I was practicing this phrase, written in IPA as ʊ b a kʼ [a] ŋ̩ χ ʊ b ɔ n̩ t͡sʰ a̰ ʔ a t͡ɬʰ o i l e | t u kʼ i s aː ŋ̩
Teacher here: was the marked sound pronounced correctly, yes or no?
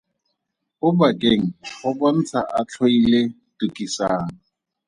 no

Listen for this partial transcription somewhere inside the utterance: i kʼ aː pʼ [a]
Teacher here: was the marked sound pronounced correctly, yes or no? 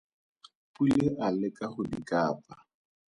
yes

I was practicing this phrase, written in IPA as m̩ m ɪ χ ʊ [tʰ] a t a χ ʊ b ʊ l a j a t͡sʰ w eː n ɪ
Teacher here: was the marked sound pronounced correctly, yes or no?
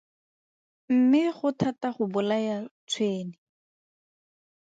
yes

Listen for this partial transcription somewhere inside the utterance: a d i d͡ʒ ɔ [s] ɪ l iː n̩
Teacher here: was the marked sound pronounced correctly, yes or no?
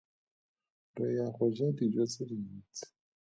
no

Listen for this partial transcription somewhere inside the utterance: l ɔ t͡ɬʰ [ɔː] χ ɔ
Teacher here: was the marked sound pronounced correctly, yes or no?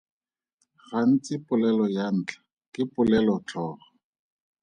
yes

